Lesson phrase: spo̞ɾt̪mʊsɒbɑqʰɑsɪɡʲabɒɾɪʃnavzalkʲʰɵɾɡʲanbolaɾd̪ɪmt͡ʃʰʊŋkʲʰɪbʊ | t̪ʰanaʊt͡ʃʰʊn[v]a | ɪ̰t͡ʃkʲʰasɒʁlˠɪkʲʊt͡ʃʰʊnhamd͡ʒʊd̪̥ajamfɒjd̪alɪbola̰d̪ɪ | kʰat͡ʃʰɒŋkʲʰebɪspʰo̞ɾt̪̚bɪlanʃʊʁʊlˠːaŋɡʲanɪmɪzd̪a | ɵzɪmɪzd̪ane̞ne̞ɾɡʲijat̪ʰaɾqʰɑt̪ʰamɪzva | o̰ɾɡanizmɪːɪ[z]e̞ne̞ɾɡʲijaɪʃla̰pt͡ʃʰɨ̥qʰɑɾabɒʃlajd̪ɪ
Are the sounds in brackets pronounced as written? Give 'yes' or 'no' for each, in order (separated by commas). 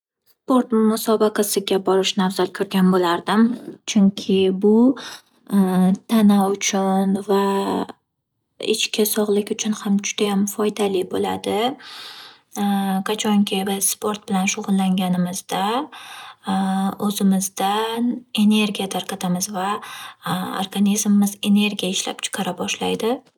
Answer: yes, yes